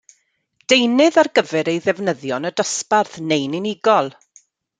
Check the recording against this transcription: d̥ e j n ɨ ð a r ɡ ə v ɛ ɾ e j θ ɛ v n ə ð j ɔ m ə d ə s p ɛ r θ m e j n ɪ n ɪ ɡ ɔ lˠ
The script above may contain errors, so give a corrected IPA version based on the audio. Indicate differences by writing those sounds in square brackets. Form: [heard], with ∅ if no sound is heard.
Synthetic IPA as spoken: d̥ e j n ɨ ð a r ɡ ə v ɛ ɾ e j [ð] ɛ v n ə ð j ɔ [n] ə d ə s p [a] r θ [n] e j n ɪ n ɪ ɡ ɔ lˠ